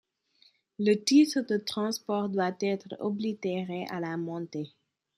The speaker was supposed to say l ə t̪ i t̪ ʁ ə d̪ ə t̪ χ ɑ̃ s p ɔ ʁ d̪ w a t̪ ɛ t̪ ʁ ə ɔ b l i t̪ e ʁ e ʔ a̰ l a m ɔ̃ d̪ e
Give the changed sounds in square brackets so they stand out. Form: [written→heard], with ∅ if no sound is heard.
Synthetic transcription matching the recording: l ə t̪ i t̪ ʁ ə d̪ ə t̪ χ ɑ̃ s p ɔ ʁ d̪ w a t̪ ɛ t̪ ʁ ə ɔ b l i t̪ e ʁ e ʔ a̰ l a m ɔ̃ [d̪→t̪] e